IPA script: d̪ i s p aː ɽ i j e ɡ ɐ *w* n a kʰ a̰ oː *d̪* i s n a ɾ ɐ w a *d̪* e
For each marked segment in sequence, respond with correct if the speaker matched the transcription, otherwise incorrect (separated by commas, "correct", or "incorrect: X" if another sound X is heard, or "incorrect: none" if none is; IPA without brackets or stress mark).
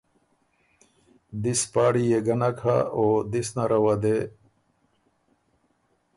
incorrect: none, correct, correct